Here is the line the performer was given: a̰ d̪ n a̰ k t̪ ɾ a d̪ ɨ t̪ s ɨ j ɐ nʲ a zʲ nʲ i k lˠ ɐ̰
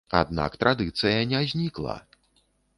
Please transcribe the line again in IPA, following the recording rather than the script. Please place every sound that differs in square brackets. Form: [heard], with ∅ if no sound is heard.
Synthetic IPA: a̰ d̪ n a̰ k t̪ ɾ a d̪ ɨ t̪ s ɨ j ɐ nʲ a zʲ nʲ i k lˠ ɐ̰